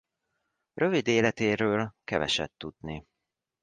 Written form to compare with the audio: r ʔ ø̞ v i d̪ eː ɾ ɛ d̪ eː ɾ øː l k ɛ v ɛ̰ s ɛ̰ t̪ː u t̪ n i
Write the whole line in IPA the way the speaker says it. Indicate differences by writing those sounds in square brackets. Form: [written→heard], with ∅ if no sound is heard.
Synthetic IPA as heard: r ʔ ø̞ v i d̪ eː [ɾ→l] ɛ [d̪→t̪] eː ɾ øː l k ɛ v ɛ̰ [s→ʃ] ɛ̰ t̪ː u [t̪→d̪] n i